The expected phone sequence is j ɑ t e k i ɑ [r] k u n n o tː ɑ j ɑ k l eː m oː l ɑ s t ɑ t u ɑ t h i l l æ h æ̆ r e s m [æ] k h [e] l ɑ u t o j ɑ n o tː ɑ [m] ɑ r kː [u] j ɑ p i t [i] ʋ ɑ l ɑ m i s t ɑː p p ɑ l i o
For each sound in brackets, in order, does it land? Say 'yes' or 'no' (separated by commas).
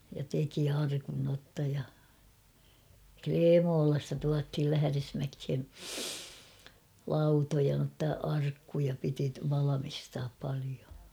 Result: yes, yes, yes, no, yes, yes